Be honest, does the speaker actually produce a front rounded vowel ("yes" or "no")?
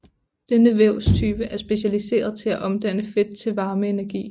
yes